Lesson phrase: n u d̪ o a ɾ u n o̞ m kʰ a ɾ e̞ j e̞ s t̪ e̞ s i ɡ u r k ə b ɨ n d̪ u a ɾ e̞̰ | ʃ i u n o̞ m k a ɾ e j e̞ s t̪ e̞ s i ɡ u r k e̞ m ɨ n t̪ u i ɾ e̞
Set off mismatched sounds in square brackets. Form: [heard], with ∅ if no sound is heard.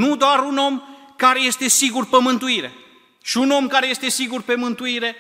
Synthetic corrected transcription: n u d̪ o a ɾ u n o̞ m [k] a ɾ e̞ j e̞ s t̪ e̞ s i ɡ u r [p] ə [m] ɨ n [t̪] u [i] ɾ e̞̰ | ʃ i u n o̞ m k a ɾ e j e̞ s t̪ e̞ s i ɡ u r [p] e̞ m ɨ n t̪ u i ɾ e̞